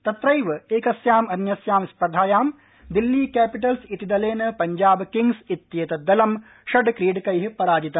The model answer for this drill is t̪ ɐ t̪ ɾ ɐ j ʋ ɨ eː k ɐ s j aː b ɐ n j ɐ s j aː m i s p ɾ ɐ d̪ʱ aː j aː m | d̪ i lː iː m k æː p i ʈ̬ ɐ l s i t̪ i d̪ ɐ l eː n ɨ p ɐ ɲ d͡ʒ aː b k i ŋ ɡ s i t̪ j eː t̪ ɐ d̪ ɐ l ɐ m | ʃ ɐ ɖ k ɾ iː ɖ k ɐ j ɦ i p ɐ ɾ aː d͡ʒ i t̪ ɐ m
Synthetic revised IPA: t̪ ɐ t̪ ɾ ɐ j ʋ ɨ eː k ɐ s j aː m ɐ n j ɐ s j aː m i s p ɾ ɐ d̪ʱ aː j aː m | d̪ i lː iː k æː p i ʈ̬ ɐ l s i t̪ i d̪ ɐ l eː n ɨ p ɐ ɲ d͡ʒ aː b k i ŋ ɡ s i t̪ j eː t̪ ɐ d̪ ɐ l ɐ m | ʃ ɐ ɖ k ɾ iː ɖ k ɐ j ɦ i p ɐ ɾ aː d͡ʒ i t̪ ɐ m